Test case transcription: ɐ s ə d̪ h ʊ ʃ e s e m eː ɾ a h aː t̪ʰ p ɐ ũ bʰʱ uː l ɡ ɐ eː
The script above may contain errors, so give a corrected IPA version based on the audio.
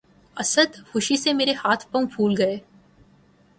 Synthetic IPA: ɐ s ə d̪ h ʊ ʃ i s e m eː ɾ e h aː t̪ʰ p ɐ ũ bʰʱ uː l ɡ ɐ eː